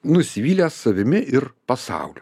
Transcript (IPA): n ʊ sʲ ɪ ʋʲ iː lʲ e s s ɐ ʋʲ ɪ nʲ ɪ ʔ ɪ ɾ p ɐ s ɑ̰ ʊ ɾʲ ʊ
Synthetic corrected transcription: n ʊ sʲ ɪ ʋʲ iː lʲ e s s ɐ ʋʲ ɪ mʲ ɪ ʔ ɪ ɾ p ɐ s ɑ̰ ʊ lʲ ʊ